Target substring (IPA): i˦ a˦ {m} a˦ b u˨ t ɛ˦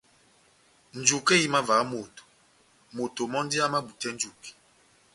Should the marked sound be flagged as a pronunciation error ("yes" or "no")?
no